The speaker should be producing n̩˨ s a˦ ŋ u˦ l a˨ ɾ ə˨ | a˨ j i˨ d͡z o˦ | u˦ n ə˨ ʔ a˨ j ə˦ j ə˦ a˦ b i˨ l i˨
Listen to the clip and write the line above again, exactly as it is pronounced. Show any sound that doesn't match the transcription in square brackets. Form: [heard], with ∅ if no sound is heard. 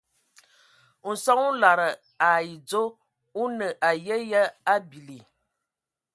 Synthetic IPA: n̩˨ s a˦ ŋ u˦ l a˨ ɾ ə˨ | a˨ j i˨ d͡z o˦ | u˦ n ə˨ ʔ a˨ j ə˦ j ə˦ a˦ b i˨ l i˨